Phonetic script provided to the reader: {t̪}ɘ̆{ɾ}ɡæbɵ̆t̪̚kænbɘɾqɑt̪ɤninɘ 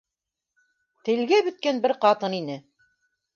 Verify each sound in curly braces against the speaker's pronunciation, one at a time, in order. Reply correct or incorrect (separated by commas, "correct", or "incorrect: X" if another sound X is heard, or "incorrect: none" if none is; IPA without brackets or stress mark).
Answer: correct, incorrect: l